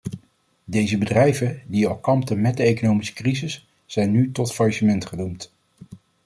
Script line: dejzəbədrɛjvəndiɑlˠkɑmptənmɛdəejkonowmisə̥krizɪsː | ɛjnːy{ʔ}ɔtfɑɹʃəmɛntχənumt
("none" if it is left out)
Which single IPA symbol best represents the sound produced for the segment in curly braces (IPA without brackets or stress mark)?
t